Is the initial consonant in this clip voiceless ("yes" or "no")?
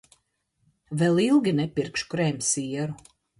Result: no